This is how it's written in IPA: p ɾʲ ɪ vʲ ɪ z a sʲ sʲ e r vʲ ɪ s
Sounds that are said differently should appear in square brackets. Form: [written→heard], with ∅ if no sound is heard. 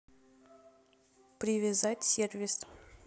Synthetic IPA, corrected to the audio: p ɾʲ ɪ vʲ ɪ z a [sʲ→tʲ] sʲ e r vʲ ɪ s